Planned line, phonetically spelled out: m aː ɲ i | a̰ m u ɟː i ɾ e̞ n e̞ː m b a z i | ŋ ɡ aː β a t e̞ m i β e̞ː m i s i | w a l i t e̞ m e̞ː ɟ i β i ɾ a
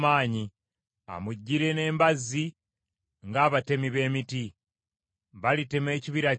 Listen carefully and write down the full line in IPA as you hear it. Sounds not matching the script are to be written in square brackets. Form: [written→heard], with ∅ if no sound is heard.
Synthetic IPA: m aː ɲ i | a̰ m u ɟː i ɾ e̞ n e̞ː m b a z i | ŋ ɡ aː β a t e̞ m i β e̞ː m i [s→t] i | [w→β] a l i t e̞ m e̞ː [ɟ→c] i β i ɾ a